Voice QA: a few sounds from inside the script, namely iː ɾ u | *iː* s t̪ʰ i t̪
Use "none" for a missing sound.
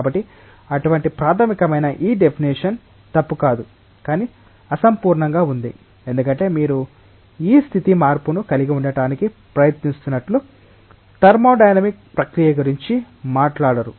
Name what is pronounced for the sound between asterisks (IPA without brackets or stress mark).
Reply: iː